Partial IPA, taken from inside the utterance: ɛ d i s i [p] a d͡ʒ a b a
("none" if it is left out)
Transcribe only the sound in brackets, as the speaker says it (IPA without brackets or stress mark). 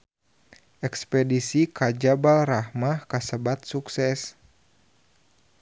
k